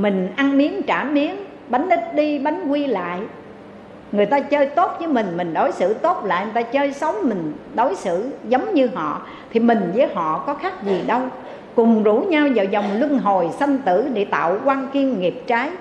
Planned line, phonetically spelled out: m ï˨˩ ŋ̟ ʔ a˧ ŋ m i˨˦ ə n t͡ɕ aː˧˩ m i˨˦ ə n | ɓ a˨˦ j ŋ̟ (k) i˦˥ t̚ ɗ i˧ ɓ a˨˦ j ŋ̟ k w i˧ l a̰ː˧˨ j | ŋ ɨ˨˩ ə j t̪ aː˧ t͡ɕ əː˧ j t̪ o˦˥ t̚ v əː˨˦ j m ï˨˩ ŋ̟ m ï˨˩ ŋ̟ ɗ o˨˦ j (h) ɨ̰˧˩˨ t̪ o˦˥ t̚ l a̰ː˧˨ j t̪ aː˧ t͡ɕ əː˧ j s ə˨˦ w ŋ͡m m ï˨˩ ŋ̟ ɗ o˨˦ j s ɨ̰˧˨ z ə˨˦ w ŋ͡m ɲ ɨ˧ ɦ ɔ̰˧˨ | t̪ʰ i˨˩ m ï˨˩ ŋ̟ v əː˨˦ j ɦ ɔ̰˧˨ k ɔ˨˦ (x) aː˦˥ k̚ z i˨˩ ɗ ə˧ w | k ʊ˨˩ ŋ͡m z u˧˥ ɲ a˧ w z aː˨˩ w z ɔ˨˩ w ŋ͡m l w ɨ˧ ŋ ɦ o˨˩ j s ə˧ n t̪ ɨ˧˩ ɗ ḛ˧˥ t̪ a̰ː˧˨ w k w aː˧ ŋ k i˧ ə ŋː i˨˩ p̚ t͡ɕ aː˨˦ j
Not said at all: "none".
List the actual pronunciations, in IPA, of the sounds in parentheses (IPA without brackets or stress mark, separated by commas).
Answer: ʔ, s, x